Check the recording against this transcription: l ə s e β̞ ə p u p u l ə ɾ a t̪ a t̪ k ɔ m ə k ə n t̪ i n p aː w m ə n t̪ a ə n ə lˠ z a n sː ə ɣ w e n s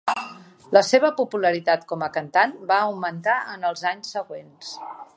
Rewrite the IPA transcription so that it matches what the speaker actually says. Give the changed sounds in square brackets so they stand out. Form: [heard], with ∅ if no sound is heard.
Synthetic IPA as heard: l ə s e β̞ ə p u p u l ə ɾ [i] t̪ a t̪ k ɔ m ə k ə n t̪ [a] n [b] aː w m ə n t̪ a ə n ə lˠ z a [ɲ] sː ə ɣ w e n s

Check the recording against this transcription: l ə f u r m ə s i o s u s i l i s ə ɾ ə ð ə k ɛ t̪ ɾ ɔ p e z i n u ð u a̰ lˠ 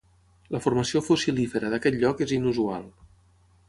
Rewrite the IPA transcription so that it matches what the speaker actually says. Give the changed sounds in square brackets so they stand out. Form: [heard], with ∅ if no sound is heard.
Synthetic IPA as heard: l ə f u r m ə s i o [f] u s i l i [f] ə ɾ ə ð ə k ɛ t̪ [ʎ] ɔ [k] e z i n u [z] u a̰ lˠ

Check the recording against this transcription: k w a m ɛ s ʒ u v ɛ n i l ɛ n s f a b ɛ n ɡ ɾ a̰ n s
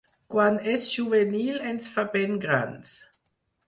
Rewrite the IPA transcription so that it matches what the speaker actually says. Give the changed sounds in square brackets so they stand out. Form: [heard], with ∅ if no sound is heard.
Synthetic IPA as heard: k w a [n] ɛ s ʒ u v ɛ n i l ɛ n s f a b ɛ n ɡ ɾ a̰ n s

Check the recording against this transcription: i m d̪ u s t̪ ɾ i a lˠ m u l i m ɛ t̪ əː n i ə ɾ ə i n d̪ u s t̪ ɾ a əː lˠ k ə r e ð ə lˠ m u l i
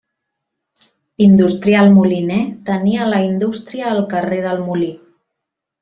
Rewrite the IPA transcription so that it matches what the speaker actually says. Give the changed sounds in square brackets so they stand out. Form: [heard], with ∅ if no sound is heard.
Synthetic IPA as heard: i [n] d̪ u s t̪ ɾ i a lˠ m u l i [n] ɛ t̪ [ə] n i ə [l] ə i n d̪ u s t̪ ɾ [i] əː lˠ k ə r e ð ə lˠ m u l i

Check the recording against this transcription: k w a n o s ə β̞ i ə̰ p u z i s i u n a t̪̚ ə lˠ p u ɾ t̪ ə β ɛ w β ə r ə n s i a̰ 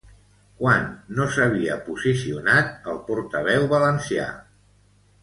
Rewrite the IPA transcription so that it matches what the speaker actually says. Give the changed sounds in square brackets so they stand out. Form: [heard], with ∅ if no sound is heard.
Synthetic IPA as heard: k w a [nː] o s ə β̞ i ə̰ p u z i s i u n a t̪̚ ə lˠ p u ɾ t̪ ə β ɛ w β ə [l] ə n s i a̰

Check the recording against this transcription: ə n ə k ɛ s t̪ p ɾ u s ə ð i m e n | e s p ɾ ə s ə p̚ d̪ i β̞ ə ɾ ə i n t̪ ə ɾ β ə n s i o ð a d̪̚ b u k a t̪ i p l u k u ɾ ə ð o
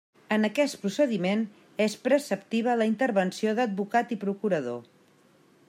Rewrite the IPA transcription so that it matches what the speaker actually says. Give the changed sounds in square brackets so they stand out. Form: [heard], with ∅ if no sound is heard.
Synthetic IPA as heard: ə n ə k ɛ s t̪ p ɾ u s ə ð i m e n | e s p ɾ ə s ə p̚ [t̪] i β̞ ə [l] ə i n t̪ ə ɾ β ə n s i o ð [ə] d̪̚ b u k a t̪ i p [ɾ] u k u ɾ ə ð o

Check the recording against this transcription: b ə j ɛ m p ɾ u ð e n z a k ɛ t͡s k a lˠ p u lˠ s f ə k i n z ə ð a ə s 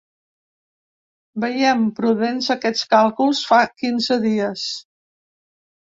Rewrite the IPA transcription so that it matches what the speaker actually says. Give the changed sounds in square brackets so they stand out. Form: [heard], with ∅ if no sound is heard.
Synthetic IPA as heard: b ə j ɛ m p ɾ u ð e n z [ə] k ɛ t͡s k a lˠ [k] u lˠ s f [a] k i n z ə ð [i] ə s

